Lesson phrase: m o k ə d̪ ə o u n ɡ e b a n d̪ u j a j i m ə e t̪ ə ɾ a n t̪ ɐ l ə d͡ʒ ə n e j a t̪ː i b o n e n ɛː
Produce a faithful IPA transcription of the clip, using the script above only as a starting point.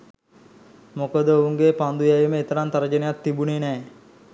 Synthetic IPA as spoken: m o k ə d̪ ə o u ŋ ɡ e p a n d̪ u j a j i m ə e t̪ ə ɾ a n t̪ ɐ ɾ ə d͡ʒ ə n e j a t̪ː i b u n e n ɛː